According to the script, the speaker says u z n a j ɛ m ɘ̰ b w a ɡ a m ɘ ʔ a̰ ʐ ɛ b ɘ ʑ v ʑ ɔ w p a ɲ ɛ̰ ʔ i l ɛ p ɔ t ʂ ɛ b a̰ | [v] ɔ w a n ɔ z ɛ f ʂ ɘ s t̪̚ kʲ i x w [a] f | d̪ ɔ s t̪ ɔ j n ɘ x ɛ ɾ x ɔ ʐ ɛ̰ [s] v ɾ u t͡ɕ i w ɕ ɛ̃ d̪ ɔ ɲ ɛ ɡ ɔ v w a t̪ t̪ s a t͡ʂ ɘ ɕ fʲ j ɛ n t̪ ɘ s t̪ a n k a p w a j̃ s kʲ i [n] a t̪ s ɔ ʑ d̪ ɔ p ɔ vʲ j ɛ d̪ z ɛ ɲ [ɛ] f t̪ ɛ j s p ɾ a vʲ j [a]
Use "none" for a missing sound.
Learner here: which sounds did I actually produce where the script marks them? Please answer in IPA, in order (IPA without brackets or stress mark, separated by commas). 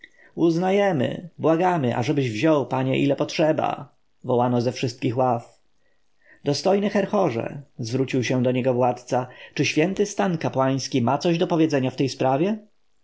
v, a, z, m, a, ɛ